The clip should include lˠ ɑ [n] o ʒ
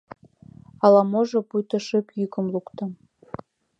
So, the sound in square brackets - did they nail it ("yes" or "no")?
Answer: no